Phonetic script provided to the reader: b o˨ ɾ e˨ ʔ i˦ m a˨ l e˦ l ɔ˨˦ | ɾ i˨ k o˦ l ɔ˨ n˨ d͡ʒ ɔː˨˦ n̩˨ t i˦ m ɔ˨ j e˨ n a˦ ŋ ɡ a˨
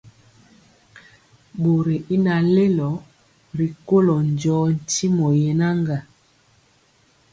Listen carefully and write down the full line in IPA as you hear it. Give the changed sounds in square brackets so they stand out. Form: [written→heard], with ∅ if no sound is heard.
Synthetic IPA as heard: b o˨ ɾ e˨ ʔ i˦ [m→n] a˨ l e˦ l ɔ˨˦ | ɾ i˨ k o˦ l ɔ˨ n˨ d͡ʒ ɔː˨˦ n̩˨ t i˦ m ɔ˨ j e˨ n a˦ ŋ ɡ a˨

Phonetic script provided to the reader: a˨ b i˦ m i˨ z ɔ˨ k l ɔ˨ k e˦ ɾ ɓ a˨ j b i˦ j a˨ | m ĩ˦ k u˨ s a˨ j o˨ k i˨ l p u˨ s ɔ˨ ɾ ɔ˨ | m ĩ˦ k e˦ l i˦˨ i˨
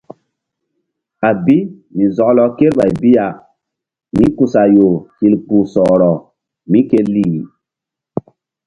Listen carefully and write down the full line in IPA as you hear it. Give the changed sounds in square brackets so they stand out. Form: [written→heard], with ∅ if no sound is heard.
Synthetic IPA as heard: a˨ b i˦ m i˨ z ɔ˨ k l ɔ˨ k e˦ ɾ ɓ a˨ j b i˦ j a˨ | m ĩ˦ k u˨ s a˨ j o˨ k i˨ l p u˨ s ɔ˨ ɾ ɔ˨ | m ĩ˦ k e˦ l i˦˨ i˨

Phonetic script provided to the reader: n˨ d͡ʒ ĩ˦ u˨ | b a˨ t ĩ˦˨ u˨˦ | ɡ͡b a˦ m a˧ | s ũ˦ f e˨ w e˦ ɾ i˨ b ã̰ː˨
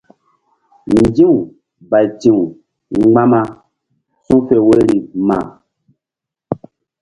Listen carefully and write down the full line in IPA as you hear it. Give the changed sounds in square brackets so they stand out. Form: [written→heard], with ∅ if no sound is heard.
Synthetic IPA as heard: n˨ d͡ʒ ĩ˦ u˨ | b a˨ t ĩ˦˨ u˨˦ | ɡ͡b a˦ m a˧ | s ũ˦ f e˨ w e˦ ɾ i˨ [b→m] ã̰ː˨

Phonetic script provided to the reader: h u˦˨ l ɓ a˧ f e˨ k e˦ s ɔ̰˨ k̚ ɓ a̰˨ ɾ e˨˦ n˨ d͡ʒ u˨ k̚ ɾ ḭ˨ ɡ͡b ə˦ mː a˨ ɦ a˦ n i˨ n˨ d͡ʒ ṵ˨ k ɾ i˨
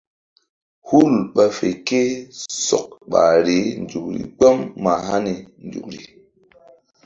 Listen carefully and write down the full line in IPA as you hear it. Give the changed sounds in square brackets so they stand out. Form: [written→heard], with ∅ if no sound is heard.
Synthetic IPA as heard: h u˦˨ l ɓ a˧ f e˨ k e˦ s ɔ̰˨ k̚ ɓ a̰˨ ɾ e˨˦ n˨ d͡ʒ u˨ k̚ ɾ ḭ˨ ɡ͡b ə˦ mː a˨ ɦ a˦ n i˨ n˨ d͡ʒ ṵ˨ k ɾ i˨

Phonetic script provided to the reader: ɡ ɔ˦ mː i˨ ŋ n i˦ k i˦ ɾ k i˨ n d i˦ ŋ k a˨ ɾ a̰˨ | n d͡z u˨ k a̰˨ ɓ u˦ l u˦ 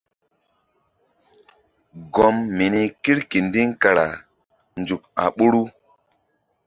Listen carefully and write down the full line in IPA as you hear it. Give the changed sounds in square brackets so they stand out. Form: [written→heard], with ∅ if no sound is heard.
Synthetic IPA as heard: ɡ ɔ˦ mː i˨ [ŋ→∅] n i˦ k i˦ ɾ k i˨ n d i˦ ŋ k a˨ ɾ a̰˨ | n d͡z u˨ k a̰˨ ɓ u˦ [l→ɾ] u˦

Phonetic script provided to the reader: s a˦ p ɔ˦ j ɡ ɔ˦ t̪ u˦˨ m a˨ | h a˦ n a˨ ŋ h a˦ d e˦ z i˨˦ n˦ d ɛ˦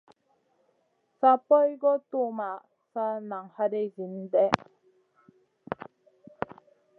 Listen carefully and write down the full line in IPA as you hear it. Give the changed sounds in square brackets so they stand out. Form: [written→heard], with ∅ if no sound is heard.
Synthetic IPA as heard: s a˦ p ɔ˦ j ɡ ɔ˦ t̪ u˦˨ m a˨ | [h→s] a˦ n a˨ ŋ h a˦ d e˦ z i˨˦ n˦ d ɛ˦

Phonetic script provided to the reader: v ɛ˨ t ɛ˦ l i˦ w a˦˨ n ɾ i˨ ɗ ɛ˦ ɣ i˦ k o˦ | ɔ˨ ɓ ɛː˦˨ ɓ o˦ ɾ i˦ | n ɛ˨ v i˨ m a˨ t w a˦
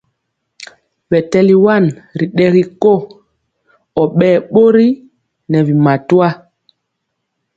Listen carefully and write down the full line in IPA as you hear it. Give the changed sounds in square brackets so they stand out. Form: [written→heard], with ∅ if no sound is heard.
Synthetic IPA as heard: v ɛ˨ t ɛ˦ l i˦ w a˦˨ n ɾ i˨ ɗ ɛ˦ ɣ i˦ k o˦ | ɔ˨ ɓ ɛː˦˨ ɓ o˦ ɾ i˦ | n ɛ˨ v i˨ m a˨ t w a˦

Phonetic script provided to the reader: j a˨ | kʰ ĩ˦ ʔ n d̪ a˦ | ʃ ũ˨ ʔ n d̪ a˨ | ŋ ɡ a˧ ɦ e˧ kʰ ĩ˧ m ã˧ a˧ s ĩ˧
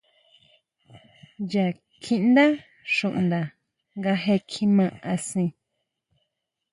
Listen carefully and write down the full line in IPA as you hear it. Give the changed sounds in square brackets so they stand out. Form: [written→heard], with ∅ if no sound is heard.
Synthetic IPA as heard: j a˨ | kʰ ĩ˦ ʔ n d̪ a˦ | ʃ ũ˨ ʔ n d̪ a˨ | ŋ ɡ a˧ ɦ e˧ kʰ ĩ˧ m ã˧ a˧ s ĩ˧

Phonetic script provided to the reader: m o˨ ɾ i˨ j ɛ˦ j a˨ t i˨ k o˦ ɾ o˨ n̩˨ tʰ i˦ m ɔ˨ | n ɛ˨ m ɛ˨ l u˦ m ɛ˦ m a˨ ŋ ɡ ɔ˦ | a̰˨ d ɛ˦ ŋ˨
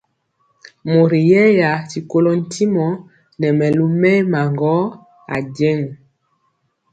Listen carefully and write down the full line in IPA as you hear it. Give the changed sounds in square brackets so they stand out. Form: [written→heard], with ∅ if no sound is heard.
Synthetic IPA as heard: m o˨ ɾ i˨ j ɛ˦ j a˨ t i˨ k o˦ [ɾ→l] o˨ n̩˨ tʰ i˦ m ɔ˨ | n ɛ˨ m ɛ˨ l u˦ m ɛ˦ m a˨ ŋ ɡ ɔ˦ | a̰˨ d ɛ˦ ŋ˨

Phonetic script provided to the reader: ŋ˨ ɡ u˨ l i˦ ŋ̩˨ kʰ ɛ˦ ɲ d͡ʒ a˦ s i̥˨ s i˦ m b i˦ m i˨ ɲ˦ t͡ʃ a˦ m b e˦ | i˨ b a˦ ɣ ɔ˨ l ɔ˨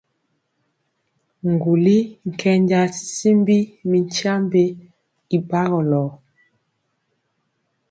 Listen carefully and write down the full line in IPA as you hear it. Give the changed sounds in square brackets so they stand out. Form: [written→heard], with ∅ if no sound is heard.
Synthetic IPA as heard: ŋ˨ ɡ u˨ l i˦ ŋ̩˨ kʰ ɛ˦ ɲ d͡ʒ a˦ s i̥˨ s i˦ m b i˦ m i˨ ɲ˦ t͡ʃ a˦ m b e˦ | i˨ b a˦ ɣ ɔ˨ l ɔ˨

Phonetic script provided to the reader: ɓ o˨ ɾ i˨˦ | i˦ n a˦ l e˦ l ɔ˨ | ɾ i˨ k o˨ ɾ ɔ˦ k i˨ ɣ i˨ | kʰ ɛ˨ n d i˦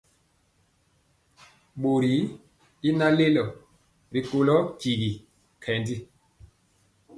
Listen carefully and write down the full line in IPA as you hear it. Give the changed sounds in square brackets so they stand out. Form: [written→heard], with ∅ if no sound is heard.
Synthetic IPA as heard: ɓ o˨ ɾ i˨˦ | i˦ n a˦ l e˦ l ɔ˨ | ɾ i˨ k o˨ [ɾ→l] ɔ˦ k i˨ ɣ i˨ | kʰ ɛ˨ n d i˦

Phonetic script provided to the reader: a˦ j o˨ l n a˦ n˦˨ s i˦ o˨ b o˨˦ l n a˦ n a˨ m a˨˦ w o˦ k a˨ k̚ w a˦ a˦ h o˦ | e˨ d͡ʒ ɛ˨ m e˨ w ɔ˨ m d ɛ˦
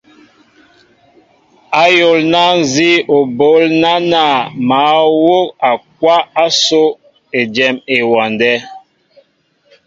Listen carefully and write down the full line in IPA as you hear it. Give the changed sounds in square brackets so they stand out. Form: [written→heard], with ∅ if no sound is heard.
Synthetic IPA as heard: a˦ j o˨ l n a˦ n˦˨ [s→z] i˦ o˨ b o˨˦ l n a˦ n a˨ m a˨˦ w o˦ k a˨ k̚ w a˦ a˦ [h→s] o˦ | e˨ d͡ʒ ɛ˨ m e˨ w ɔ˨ [m→n] d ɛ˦

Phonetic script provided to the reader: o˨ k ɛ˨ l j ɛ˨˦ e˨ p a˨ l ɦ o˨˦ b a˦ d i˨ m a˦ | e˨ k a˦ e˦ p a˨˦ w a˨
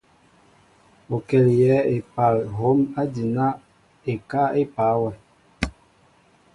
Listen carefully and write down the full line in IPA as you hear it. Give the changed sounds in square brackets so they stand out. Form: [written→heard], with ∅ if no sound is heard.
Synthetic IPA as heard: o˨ k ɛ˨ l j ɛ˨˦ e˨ p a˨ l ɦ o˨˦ [b→m] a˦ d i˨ [m→n] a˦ | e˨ k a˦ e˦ p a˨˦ w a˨

